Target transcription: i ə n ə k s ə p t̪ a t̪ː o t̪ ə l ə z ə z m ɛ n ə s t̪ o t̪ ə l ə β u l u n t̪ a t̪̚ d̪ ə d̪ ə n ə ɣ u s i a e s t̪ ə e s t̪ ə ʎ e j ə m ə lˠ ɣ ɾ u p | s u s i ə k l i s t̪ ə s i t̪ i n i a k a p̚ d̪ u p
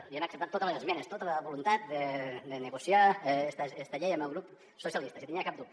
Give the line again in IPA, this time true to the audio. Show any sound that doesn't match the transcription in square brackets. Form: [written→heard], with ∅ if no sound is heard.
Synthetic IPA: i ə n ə k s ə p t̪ a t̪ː o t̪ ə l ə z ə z m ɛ n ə s t̪ o t̪ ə l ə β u l u n t̪ a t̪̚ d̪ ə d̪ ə n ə ɣ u s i a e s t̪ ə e s t̪ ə ʎ e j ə m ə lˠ ɣ ɾ u p | s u s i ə [k→∅] l i s t̪ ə s i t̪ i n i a k a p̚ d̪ u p